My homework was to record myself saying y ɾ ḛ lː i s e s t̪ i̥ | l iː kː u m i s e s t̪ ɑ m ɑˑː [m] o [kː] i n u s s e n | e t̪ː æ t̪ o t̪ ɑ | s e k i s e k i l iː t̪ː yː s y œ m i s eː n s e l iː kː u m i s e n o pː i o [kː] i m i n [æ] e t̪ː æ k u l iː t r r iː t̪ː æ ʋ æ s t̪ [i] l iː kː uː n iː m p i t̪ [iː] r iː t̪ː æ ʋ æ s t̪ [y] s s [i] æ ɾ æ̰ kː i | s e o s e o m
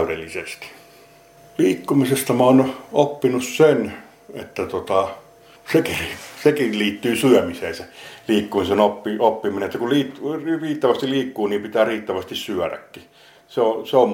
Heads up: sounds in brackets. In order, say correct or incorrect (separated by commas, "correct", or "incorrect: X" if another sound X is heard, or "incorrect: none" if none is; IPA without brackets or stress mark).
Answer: incorrect: n, incorrect: pː, incorrect: pː, incorrect: e, correct, incorrect: æː, incorrect: i, incorrect: y